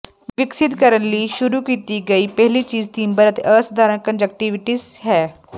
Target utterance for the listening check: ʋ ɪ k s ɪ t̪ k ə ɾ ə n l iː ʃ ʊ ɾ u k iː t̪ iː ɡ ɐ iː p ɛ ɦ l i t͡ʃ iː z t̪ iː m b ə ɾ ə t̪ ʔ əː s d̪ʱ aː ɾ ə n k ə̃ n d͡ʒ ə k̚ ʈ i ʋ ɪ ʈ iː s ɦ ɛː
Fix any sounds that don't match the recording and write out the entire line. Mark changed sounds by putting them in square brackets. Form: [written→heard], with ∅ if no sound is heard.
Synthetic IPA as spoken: ʋ ɪ k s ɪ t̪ k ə ɾ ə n l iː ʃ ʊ ɾ u k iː t̪ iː ɡ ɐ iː p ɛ ɦ l i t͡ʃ iː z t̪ iː m b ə ɾ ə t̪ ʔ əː s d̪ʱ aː ɾ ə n k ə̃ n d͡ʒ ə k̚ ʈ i ʋ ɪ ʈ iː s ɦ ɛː